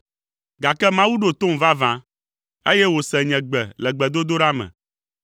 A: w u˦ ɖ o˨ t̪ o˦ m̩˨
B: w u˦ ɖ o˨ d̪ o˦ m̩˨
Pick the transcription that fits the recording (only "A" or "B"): A